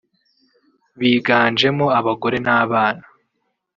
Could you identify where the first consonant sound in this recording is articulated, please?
labial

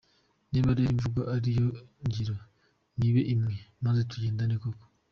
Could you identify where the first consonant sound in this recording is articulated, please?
alveolar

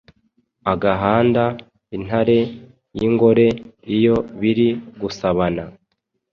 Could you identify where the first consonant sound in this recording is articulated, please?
velar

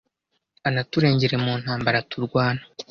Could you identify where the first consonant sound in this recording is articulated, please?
alveolar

